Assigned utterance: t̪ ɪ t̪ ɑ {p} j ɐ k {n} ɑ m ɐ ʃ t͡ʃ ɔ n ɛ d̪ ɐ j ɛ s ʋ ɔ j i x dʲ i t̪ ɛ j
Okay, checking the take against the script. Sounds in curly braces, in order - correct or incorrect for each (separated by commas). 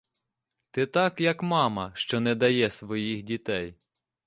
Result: incorrect, incorrect